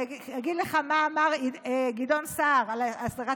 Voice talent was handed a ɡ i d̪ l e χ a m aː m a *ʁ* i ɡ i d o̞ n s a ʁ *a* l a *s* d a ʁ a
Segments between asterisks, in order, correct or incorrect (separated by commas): correct, correct, correct